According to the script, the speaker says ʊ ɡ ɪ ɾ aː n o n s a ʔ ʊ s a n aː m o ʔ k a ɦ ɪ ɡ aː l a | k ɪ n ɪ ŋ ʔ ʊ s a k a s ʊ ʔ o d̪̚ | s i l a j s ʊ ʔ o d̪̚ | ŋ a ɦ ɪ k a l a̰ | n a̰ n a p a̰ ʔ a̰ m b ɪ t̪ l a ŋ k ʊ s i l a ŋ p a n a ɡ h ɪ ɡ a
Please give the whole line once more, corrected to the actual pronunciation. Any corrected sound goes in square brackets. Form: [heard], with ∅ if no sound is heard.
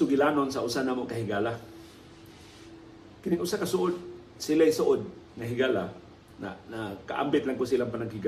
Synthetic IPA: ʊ ɡ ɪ [l] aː n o n s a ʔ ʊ s a n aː m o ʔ k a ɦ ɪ ɡ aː l a | k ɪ n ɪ ŋ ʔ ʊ s a k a s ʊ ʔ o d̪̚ | s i l a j s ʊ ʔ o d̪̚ | ŋ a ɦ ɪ [ɡ] a l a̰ | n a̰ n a [k] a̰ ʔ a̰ m b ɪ t̪ l a ŋ k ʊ s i l a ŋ p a n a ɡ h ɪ ɡ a